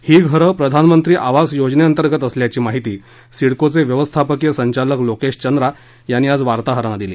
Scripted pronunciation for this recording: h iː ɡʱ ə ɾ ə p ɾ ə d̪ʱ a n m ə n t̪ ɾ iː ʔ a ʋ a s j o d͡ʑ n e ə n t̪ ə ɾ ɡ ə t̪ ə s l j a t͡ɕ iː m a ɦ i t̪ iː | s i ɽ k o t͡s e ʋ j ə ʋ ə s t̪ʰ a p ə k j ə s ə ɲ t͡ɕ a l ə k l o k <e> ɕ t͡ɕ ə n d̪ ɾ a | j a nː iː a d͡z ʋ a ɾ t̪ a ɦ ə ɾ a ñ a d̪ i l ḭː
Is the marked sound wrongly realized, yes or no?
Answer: no